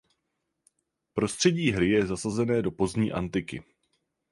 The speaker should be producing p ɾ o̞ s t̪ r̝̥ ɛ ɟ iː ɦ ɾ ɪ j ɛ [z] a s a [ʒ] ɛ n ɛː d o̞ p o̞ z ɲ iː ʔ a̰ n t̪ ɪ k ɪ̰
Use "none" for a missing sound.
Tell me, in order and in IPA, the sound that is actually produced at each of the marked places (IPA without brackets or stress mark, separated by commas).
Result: z, z